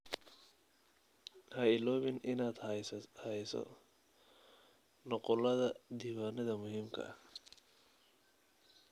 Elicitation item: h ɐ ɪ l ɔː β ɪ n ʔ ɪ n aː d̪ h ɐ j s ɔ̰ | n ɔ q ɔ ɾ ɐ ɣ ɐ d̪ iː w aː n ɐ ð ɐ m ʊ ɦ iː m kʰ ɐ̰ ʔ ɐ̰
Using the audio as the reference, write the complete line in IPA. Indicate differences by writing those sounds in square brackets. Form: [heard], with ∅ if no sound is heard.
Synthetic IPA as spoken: h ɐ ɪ l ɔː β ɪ n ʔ ɪ n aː d̪ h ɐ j s ɔ̰ | n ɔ q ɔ [l] ɐ [ð] ɐ d̪ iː w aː n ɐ ð ɐ m ʊ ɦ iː m kʰ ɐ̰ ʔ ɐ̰